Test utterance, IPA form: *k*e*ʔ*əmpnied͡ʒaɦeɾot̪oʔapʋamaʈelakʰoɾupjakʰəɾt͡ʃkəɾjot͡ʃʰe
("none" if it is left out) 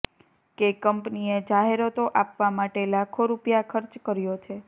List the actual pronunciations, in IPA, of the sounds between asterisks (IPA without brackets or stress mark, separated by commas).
k, k